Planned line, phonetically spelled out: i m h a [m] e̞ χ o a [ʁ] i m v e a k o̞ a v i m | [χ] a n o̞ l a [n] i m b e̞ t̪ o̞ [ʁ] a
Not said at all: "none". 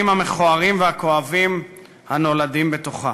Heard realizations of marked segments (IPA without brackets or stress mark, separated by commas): m, ʁ, h, d, χ